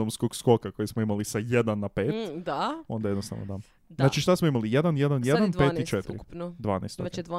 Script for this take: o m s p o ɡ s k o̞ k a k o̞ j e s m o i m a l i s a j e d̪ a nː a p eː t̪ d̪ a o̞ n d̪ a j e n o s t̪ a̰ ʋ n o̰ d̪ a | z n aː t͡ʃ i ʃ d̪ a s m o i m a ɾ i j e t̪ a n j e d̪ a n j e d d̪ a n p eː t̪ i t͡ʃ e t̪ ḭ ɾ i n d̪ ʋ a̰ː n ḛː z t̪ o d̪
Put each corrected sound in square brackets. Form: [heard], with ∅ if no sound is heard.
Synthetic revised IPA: o m s [k] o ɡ s k o̞ k a k o̞ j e s m o i m a l i s a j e d̪ a nː a p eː t̪ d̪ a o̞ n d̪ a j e n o s t̪ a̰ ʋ n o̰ d̪ a | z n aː t͡ʃ i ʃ [t̪] a s m o i m a [l] i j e [d̪] a n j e d̪ a n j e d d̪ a n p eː t̪ i t͡ʃ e t̪ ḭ ɾ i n d̪ ʋ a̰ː n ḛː [s] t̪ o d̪